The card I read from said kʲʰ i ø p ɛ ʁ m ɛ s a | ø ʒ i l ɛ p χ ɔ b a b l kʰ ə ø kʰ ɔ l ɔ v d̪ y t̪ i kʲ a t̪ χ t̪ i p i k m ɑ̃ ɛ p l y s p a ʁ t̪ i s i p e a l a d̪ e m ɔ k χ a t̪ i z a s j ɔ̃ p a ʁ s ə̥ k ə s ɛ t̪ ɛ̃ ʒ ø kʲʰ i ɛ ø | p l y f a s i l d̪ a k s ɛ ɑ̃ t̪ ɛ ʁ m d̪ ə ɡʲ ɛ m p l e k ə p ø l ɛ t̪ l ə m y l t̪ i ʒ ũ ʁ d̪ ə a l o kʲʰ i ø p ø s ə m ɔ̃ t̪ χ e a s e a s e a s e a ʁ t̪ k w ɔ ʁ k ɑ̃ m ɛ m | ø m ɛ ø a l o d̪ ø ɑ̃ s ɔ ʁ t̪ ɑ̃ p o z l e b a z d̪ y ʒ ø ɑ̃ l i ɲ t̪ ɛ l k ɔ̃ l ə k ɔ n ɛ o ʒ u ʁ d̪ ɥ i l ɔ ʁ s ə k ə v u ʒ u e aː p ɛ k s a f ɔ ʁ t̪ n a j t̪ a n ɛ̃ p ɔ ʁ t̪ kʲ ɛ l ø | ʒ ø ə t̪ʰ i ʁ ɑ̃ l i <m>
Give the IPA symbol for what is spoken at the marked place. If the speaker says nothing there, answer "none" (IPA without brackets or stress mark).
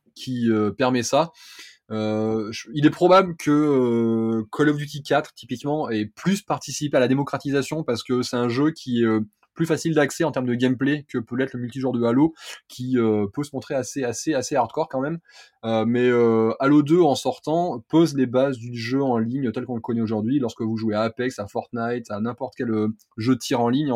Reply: ɲ